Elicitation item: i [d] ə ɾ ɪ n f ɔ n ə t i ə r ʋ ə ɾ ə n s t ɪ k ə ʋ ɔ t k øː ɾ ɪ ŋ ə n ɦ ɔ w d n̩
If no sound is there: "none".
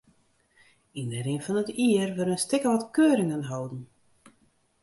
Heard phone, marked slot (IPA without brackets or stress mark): n